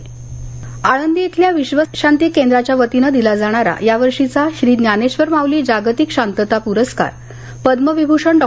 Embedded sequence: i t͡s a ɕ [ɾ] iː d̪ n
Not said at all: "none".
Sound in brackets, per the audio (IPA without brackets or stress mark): ɾ